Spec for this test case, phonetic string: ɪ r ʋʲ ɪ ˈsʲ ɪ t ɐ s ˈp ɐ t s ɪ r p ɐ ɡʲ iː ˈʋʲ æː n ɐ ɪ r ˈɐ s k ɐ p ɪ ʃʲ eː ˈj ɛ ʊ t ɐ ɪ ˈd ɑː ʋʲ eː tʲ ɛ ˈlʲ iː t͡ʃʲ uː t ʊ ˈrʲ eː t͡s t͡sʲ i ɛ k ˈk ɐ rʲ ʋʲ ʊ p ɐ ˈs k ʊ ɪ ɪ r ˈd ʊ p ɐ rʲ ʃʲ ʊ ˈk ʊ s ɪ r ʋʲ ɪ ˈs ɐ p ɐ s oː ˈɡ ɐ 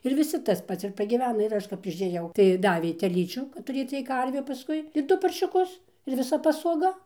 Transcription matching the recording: ɪ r ʋʲ ɪ ˈsʲ ɪ t ɐ s ˈp ɐ t s ɪ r p ɐ ɡʲ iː ˈʋʲ æː n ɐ ɪ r ˈɐ ʃ k ɐ p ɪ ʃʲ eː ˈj ɛ ʊ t ɐ ɪ ˈd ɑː ʋʲ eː tʲ ɛ ˈlʲ iː t͡ʃʲ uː t ʊ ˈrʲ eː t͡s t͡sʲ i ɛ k ˈk ɐ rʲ ʋʲ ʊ p ɐ ˈs k ʊ ɪ ɪ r ˈd ʊ p ɐ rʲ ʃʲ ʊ ˈk ʊ s ɪ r ʋʲ ɪ ˈs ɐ p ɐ s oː ˈɡ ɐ